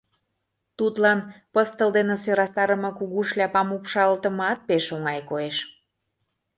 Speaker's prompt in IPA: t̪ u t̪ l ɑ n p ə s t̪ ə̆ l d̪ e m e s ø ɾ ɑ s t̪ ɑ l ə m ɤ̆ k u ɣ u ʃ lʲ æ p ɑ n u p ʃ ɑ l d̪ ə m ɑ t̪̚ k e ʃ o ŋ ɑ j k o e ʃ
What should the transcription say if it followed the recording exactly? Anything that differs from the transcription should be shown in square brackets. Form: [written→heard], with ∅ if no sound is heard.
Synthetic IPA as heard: t̪ u t̪ l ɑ n p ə s t̪ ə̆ l d̪ e [m→n] e s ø ɾ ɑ s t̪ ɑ [l→ɾ] ə m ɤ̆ k u ɣ u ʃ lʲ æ p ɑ [n→m] u p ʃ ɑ l [d̪→t̪] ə m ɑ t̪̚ [k→p] e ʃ o ŋ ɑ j k o e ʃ

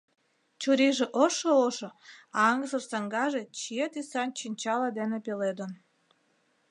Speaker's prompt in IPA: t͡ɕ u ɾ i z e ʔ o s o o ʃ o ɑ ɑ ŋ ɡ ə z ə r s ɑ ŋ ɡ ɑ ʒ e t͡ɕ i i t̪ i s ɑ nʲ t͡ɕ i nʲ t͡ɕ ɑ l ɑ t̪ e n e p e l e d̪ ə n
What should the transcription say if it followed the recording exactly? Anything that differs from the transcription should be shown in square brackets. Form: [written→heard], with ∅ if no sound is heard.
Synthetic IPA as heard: t͡ɕ u ɾ i [z→ʒ] e ʔ o [s→ʃ] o o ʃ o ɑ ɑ ŋ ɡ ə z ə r s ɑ ŋ ɡ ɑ ʒ e t͡ɕ i [i→e] t̪ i s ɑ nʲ t͡ɕ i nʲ t͡ɕ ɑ l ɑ [t̪→d̪] e n e p e l e d̪ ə n

